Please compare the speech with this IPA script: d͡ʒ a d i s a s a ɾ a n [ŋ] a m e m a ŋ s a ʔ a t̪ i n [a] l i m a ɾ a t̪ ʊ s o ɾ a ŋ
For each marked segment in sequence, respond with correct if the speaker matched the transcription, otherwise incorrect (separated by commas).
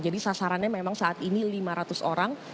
incorrect, incorrect